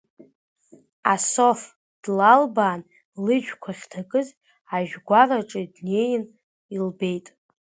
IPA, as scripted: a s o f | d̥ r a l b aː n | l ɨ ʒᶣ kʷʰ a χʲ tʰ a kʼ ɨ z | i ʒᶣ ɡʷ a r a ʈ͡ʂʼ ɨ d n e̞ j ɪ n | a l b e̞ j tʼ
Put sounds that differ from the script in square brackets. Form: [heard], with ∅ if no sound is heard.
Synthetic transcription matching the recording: a s o f | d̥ [l] a l b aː n | l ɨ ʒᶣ kʷʰ a χʲ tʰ a kʼ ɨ z | [a] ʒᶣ ɡʷ a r a ʈ͡ʂʼ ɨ d n e̞ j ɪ n | [i] l b e̞ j tʼ